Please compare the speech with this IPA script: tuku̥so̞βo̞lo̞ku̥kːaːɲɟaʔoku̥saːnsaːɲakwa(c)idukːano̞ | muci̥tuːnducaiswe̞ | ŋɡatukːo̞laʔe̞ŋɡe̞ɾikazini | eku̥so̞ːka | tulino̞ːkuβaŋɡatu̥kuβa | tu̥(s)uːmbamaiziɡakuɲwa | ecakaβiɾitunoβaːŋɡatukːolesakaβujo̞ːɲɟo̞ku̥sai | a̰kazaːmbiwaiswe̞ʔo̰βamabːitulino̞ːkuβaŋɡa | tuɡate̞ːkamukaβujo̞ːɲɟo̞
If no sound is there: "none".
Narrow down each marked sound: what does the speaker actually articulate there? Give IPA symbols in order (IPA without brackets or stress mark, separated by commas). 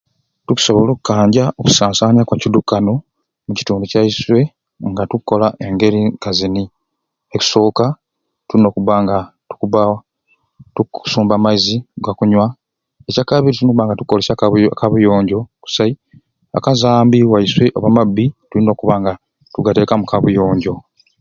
c, s